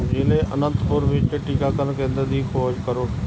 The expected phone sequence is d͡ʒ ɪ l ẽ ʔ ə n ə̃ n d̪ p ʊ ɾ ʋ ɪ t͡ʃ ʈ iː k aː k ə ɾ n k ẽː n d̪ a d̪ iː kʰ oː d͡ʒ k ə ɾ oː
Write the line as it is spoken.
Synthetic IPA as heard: d͡ʒ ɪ l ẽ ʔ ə n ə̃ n t̪ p ʊ ɾ ʋ ɪ t͡ʃ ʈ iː k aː k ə ɾ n k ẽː n d̪ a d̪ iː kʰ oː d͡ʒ k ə ɾ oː